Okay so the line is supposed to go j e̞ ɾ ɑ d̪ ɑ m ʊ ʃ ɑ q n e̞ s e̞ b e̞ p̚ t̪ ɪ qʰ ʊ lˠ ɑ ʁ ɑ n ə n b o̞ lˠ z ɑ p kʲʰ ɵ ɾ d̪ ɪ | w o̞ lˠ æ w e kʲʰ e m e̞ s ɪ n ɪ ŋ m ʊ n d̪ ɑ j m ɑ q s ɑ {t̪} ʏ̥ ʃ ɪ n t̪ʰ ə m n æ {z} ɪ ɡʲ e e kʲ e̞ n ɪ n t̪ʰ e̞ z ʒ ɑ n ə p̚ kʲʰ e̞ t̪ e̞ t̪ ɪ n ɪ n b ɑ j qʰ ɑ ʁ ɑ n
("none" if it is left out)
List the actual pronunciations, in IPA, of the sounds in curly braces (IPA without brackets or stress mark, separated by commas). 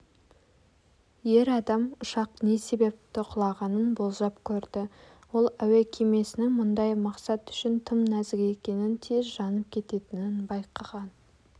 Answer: t̪, z